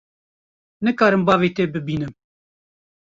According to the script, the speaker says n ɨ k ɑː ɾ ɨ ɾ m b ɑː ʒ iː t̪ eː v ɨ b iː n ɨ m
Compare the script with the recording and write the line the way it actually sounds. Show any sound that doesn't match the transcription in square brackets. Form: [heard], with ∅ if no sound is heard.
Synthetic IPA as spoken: n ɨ k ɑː ɾ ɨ [∅] m b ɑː [v] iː t̪ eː [b] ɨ b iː n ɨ m

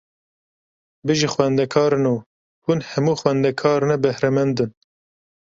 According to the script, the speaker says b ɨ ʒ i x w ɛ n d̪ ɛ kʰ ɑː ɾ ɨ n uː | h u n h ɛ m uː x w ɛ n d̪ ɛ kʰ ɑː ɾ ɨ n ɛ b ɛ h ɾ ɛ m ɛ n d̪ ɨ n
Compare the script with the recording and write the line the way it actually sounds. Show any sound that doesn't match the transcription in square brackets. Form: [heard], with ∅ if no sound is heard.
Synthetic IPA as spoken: b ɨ ʒ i x w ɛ n d̪ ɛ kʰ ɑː ɾ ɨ n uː | h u n h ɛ m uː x w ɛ n d̪ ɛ kʰ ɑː ɾ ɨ n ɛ b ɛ h ɾ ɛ m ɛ n d̪ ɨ n

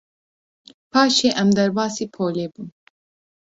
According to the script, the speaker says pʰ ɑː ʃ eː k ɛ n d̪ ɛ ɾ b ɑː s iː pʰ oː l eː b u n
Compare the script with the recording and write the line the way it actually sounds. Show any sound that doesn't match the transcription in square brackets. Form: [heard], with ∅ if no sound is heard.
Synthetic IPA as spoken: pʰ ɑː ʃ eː [ʔ] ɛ [m] d̪ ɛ ɾ b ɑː s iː pʰ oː l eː b u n

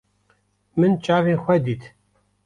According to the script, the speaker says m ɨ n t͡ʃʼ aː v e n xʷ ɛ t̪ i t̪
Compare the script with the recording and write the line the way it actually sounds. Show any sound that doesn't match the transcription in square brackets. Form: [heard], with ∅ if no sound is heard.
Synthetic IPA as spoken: m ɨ n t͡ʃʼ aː v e n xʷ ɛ [d̪] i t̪

